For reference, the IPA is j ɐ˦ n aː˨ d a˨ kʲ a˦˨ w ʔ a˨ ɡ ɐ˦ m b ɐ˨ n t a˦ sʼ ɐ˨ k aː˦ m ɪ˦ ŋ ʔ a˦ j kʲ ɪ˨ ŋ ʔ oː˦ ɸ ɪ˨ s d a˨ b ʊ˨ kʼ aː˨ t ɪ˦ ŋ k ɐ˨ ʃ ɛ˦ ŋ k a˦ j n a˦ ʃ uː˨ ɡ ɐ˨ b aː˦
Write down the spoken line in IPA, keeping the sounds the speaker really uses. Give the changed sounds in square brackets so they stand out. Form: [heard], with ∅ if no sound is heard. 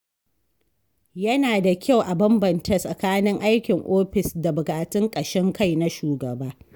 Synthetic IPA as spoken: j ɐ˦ n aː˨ d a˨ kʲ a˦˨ w ʔ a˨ [b] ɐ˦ m b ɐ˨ n t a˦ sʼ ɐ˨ k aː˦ [n] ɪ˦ ŋ ʔ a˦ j kʲ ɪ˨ ŋ ʔ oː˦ ɸ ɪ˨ s d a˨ b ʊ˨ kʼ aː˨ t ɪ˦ ŋ [kʼ] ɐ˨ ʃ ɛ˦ ŋ k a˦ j n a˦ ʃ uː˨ ɡ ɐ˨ b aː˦

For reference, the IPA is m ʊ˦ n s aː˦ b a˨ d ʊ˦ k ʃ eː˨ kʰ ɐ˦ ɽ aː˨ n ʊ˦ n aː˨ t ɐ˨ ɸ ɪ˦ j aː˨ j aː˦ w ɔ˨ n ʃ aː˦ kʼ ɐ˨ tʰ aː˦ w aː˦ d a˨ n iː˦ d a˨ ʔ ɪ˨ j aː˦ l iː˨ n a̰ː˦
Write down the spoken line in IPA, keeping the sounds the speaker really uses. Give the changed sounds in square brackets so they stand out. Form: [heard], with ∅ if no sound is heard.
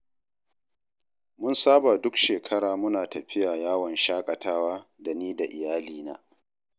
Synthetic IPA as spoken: m ʊ˦ n s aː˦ b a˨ d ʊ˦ k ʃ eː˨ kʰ ɐ˦ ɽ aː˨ [m] ʊ˦ n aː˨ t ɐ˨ ɸ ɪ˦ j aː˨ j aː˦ w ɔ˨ n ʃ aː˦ kʼ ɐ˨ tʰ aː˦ w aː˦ d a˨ n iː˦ d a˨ ʔ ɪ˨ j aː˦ l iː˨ n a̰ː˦

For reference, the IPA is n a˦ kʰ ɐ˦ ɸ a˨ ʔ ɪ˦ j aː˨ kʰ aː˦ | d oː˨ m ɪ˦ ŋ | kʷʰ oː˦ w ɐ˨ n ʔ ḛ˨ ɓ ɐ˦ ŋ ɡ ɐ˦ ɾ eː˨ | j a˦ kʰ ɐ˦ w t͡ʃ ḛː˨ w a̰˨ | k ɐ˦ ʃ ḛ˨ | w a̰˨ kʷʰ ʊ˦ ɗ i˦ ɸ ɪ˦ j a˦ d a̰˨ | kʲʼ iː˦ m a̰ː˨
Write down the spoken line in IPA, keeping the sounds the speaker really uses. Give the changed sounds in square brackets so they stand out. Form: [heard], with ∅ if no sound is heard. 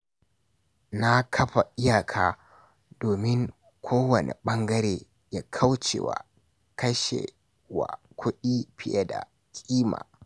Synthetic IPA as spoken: n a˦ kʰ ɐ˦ ɸ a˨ ʔ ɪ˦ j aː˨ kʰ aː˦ | d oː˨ m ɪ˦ ŋ | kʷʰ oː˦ w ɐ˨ n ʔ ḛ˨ ɓ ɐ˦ ŋ ɡ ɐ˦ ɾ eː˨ | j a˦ kʰ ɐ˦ w t͡ʃ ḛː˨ w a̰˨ | k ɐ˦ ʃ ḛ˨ | w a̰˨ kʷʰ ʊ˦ ɗ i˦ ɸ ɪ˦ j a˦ d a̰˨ | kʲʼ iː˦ m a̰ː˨

